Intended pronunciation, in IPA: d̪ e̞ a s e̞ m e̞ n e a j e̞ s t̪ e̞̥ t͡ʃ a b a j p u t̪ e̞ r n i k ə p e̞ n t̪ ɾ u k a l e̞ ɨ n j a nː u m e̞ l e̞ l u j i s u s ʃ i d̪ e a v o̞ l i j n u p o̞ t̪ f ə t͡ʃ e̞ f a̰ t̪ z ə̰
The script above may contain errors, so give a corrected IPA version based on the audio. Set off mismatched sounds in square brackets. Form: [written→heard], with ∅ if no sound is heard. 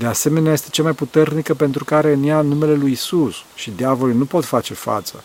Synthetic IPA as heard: d̪ e̞ a s e̞ m e̞ n e a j e̞ s t̪ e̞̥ t͡ʃ a [b→m] a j p u t̪ e̞ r n i k ə p e̞ n t̪ ɾ u k a [l→ɾ] e̞ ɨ n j a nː u m e̞ l e̞ l u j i s u s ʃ i d̪ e a v o̞ l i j n u p o̞ t̪ f [ə→a] t͡ʃ e̞ f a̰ t̪ [z→s] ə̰